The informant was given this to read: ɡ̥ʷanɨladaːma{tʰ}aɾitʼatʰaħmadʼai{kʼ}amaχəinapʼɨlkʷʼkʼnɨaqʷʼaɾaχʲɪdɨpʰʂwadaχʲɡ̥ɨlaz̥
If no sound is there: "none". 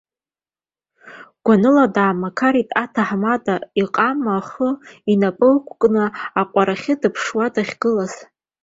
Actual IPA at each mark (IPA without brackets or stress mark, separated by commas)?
kʰ, qʼ